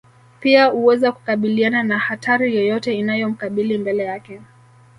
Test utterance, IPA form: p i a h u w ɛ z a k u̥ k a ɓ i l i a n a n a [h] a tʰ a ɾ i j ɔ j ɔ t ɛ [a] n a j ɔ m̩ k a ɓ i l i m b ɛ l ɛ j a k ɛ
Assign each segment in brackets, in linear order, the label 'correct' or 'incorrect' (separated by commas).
correct, incorrect